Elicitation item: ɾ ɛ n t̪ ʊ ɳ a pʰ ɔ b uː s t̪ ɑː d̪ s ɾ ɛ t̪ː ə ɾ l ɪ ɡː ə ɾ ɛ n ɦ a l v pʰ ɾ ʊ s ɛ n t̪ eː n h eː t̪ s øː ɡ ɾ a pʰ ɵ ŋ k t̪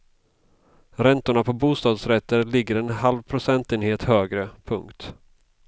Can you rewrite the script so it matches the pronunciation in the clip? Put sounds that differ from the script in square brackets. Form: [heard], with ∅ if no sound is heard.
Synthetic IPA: ɾ ɛ n t̪ ʊ ɳ a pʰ ɔ b uː s t̪ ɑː d̪ s ɾ ɛ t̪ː ə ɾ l ɪ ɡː ə ɾ ɛ n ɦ a l v pʰ ɾ ʊ s ɛ n t̪ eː n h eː t̪ [h] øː ɡ ɾ [ə] pʰ ɵ ŋ k t̪